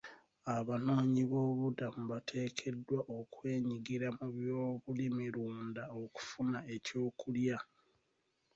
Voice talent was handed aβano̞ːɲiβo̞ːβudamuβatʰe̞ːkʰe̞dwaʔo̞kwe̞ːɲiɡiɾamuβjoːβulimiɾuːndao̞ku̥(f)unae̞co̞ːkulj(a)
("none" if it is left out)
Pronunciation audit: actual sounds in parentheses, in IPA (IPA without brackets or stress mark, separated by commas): f, a